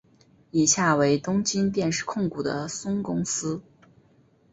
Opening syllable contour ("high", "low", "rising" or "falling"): low